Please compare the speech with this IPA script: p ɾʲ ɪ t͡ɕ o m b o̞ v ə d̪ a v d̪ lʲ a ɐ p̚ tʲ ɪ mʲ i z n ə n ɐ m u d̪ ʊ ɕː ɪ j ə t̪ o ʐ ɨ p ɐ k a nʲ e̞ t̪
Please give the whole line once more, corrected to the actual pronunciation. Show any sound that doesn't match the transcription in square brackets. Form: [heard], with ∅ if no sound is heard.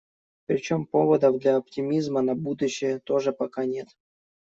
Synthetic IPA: p ɾʲ ɪ t͡ɕ o m [p] o̞ v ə d̪ [ə] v d̪ lʲ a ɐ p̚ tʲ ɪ mʲ i z [m] ə n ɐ [b] u d̪ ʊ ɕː ɪ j ə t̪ o ʐ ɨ p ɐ k a nʲ e̞ t̪